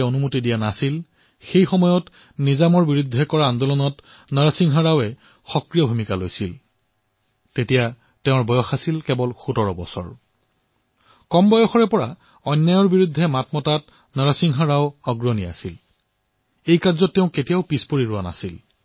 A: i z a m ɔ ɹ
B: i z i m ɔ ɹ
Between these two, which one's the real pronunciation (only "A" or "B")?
A